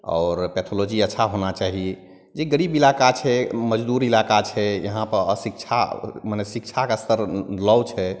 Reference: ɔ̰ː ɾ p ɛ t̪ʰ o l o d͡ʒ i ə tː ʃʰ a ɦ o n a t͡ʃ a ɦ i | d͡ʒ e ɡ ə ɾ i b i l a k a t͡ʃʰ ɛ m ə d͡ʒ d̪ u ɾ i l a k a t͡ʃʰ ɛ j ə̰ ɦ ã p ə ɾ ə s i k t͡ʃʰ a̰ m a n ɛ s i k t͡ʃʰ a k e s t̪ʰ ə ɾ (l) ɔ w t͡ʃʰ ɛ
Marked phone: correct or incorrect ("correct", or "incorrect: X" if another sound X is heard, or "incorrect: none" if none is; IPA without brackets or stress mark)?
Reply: correct